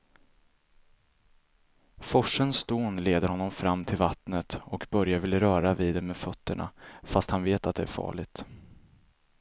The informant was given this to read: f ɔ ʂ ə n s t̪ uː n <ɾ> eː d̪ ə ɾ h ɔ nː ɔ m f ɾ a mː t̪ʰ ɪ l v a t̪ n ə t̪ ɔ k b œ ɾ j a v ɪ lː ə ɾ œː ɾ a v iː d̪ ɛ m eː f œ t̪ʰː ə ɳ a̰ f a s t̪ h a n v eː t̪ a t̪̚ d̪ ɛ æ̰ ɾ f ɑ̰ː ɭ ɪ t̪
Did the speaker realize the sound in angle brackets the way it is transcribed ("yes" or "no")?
no